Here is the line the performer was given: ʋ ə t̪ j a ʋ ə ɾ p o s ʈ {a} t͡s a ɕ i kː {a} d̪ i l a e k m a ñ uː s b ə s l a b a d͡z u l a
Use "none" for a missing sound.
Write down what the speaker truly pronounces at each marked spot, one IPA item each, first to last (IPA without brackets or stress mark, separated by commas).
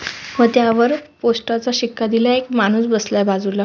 a, a